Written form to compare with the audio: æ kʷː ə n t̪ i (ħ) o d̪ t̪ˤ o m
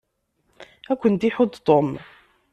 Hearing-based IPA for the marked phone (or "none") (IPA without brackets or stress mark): ħ